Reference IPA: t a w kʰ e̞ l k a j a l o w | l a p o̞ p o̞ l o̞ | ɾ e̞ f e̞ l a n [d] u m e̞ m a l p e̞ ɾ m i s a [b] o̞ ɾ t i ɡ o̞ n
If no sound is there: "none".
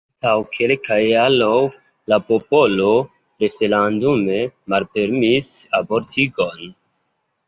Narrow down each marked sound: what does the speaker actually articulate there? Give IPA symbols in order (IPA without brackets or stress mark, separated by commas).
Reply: d, b